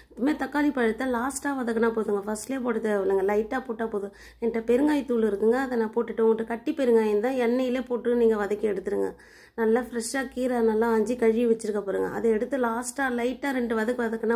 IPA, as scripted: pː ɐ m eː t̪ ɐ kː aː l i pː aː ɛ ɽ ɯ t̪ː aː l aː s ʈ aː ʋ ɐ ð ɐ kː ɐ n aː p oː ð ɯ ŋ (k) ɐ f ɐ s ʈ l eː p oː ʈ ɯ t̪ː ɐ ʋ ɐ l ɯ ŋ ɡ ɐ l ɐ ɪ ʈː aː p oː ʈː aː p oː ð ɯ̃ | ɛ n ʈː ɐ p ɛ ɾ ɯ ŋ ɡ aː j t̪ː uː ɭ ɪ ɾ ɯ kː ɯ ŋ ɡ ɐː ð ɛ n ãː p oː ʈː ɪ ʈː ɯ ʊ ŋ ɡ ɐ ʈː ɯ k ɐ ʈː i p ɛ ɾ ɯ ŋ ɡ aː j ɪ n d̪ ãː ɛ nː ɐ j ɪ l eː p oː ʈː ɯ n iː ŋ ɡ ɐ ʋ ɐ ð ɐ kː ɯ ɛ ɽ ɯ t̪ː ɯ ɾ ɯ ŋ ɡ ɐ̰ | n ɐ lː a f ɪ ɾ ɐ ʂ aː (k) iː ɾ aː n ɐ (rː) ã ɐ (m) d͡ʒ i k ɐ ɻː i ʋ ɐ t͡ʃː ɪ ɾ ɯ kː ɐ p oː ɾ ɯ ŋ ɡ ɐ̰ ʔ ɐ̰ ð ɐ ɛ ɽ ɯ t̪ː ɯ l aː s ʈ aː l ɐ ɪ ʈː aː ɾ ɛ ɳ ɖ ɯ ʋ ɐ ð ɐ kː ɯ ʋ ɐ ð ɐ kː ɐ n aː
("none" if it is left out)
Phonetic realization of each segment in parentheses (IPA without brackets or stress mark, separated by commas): ɡ, k, lː, ɲ